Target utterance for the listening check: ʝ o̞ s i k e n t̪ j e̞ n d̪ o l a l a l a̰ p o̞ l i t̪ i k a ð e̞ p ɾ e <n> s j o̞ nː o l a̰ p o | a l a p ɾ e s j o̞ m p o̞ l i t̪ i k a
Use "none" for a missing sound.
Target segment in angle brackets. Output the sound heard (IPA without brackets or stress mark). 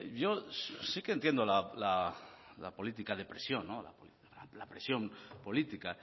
none